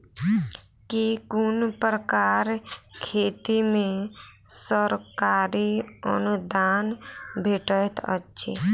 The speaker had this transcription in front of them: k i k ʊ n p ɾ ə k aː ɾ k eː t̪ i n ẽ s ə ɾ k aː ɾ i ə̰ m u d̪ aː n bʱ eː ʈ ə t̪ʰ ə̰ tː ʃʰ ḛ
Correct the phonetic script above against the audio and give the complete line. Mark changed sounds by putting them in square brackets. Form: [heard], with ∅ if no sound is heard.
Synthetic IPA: k i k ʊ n p ɾ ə k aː ɾ [kʰ] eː t̪ i [m] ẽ s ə ɾ k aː ɾ i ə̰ [n] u d̪ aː n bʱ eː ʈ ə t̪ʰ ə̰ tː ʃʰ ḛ